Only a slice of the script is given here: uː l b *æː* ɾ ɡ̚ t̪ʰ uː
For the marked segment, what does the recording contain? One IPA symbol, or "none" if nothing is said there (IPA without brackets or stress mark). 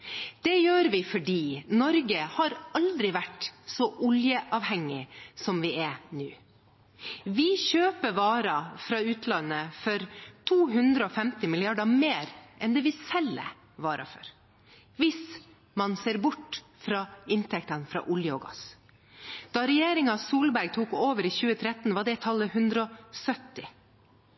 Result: æ